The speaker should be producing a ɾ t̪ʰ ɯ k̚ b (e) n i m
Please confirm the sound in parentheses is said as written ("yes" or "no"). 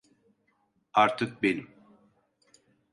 yes